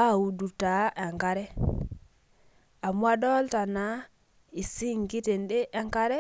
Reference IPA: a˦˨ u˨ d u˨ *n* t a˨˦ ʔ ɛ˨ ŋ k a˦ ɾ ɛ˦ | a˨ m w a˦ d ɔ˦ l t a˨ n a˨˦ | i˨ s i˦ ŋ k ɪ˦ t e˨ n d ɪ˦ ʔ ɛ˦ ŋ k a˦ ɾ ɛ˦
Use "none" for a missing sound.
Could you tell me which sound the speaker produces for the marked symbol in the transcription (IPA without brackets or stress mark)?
none